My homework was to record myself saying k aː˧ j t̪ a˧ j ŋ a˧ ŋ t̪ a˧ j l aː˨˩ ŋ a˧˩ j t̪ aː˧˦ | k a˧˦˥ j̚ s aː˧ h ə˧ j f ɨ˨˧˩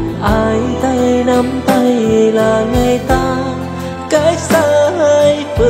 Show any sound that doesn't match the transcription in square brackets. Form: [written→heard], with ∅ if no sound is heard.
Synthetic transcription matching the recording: [k→ʔ] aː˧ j t̪ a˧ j [ŋ→n] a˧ [ŋ→m] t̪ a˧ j l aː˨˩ ŋ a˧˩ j t̪ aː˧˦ | k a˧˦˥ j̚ s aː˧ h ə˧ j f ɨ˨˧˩